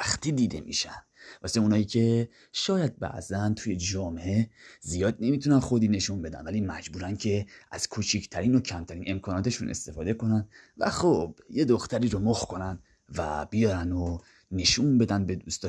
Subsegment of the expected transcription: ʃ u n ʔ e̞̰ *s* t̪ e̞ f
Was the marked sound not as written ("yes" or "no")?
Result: no